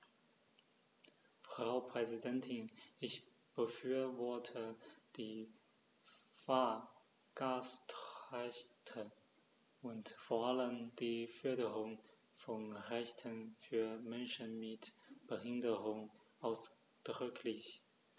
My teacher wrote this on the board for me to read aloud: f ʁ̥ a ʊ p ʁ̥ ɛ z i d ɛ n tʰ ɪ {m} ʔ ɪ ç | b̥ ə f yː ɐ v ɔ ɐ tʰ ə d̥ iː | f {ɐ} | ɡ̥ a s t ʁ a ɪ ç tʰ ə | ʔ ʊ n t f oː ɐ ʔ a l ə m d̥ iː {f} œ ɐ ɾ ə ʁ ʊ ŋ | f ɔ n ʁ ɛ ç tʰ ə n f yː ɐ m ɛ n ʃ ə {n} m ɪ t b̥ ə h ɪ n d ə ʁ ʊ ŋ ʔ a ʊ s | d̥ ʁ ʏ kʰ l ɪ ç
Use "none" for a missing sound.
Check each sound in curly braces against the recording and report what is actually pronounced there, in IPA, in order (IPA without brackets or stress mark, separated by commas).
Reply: n, a, f, n